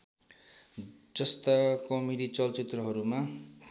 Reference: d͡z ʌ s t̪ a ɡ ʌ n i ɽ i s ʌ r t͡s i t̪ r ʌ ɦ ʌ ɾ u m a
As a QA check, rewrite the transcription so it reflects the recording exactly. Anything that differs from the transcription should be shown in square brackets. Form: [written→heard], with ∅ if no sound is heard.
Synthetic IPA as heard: d͡z ʌ s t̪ a [ɡ→k] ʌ [n→m] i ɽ i [s→t͡s] ʌ [r→l] t͡s i t̪ r ʌ ɦ ʌ ɾ u m a